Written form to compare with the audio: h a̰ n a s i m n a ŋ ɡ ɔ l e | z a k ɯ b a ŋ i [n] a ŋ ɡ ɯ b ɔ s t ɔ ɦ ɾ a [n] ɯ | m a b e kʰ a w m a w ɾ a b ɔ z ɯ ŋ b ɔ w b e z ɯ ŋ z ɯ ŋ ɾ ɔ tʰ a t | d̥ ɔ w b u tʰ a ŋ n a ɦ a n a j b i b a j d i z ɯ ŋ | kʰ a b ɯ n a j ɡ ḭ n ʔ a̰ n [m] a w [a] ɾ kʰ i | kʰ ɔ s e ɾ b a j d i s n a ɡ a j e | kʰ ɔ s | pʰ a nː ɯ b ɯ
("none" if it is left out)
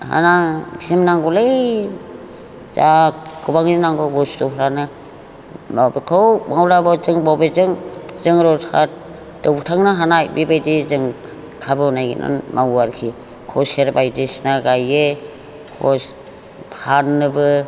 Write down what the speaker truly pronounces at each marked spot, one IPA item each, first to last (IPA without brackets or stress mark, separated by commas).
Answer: n, n, m, a